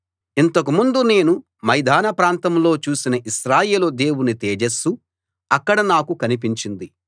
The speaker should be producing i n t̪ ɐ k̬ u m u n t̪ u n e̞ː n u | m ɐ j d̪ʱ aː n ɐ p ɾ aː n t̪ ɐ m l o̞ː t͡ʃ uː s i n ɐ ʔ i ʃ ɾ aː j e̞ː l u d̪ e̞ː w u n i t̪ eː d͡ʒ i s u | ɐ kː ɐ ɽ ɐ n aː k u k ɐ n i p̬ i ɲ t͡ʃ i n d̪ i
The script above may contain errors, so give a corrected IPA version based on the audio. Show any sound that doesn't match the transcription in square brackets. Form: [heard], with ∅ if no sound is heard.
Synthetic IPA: i n t̪ ɐ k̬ u m u n [d̪] u n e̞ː n u | m ɐ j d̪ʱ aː n ɐ p ɾ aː n t̪ ɐ m l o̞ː t͡ʃ uː s i n ɐ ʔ i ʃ ɾ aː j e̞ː l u d̪ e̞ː w u n i t̪ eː d͡ʒ [e] s u | ɐ kː ɐ ɽ ɐ n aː k u k ɐ n i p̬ i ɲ t͡ʃ i n d̪ i